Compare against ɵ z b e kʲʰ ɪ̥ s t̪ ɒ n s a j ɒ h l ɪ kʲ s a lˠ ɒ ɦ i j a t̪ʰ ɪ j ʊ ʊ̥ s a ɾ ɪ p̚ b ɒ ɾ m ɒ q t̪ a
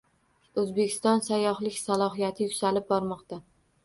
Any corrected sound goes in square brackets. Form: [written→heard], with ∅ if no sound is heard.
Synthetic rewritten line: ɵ z b e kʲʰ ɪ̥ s t̪ ɒ n s a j ɒ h l ɪ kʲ s a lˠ ɒ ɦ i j a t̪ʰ ɪ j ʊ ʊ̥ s a [ɾ→l] ɪ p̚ b ɒ ɾ m ɒ q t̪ a